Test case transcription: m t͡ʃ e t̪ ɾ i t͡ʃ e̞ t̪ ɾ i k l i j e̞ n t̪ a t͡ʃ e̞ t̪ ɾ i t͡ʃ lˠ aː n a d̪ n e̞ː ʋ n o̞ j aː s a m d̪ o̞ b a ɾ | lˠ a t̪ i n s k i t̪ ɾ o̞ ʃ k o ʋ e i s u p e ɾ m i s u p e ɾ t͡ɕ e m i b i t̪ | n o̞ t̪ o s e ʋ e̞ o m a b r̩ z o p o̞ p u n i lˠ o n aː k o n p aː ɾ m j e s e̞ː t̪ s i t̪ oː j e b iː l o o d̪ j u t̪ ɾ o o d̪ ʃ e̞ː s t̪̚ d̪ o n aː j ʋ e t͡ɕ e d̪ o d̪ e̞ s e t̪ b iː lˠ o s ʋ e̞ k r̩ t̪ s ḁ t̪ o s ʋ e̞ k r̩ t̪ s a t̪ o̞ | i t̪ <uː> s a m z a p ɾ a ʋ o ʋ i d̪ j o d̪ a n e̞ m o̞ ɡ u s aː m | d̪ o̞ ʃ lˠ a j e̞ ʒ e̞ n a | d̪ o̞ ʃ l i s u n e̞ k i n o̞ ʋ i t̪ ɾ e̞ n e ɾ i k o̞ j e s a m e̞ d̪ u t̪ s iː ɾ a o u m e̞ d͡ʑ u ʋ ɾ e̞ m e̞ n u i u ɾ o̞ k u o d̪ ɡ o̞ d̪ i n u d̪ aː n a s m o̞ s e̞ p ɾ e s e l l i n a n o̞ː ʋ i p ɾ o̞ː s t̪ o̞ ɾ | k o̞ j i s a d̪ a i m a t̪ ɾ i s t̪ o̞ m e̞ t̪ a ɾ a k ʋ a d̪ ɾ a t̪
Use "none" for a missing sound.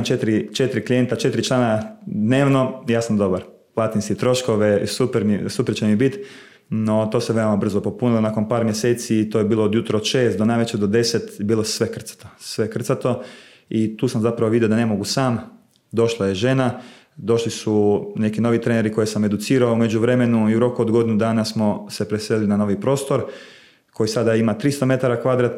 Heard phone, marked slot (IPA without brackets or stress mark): uː